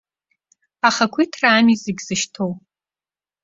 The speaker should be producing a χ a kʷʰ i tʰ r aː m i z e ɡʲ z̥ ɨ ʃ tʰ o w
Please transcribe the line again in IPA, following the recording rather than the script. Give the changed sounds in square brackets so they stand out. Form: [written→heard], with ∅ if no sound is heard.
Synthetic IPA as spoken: a χ a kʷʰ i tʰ r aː m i z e ɡʲ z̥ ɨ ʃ tʰ o w